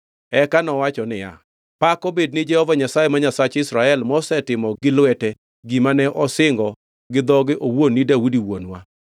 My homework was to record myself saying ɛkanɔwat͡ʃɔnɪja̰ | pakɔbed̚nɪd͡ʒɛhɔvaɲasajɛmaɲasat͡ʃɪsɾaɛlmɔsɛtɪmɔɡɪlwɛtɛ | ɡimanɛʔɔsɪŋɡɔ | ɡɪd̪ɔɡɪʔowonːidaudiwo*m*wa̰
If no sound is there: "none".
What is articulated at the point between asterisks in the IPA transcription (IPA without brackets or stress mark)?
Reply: n